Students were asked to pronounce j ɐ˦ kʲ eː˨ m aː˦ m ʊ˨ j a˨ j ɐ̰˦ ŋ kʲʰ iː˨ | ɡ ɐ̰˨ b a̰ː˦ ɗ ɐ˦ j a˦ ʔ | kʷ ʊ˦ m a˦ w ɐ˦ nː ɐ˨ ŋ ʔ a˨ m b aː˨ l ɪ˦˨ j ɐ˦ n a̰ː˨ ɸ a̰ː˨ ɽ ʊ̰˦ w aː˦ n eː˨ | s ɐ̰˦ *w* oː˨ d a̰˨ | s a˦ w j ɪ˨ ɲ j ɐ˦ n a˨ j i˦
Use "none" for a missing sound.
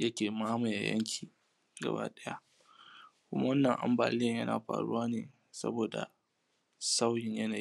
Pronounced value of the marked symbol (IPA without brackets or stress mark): b